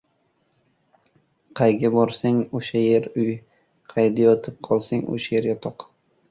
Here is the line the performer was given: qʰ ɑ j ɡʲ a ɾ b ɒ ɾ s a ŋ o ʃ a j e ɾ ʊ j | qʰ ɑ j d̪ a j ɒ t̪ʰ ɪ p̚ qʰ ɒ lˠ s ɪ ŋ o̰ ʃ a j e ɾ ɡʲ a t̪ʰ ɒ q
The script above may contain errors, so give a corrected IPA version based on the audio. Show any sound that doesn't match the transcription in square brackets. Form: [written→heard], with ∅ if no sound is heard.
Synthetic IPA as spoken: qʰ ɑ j ɡʲ a [ɾ→∅] b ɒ ɾ s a ŋ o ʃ a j e ɾ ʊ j | qʰ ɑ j d̪ a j ɒ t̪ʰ ɪ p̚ qʰ ɒ lˠ s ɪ ŋ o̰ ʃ a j e ɾ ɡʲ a t̪ʰ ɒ q